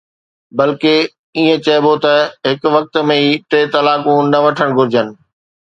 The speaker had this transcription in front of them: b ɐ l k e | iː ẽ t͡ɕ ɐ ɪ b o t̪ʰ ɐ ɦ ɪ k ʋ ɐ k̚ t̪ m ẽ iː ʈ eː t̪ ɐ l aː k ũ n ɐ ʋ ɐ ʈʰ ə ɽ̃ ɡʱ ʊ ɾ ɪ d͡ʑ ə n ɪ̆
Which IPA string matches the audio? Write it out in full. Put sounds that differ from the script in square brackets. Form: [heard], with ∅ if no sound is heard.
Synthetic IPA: b ɐ l k e | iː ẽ t͡ɕ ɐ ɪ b o [t̪] ɐ ɦ ɪ k ʋ ɐ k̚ t̪ m ẽ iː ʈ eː t̪ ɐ l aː k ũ n ɐ ʋ ɐ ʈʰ ə ɽ̃ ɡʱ ʊ ɾ ɪ d͡ʑ ə n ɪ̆